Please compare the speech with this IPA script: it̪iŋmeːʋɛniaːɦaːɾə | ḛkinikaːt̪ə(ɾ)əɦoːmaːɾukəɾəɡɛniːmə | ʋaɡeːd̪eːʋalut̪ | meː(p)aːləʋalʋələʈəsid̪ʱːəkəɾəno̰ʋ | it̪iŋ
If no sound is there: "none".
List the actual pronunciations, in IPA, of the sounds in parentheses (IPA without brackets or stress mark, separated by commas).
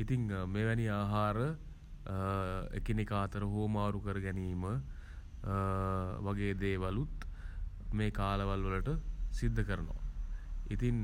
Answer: ɾ, k